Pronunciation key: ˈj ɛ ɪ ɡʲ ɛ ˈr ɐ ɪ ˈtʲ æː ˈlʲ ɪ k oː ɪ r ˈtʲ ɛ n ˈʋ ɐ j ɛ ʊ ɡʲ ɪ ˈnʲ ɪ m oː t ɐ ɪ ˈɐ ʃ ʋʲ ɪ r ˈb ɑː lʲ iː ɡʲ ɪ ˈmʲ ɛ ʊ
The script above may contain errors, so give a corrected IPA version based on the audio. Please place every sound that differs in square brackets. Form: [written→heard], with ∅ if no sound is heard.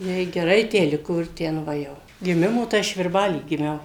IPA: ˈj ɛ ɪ ɡʲ ɛ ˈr ɐ ɪ ˈtʲ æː ˈlʲ ɪ k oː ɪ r ˈtʲ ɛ n ˈʋ ɐ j ɛ ʊ ɡʲ ɪ [ˈnʲ→ˈmʲ] ɪ m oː t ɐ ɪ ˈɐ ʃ ʋʲ ɪ r ˈb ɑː lʲ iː ɡʲ ɪ ˈmʲ ɛ ʊ